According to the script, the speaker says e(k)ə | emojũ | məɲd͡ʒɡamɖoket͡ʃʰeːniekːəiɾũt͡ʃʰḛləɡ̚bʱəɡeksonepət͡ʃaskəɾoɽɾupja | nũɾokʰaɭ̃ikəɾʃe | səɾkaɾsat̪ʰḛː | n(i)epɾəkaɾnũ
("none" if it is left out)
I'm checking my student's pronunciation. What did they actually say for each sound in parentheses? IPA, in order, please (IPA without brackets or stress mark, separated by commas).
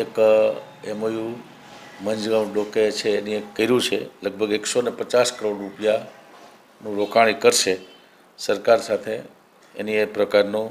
k, i